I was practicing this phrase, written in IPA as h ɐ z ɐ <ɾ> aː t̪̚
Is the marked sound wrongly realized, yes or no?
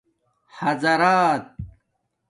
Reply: no